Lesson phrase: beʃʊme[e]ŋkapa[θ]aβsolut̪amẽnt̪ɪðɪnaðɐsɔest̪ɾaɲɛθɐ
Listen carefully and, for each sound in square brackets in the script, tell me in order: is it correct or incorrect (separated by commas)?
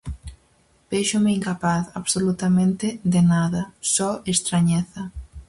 incorrect, correct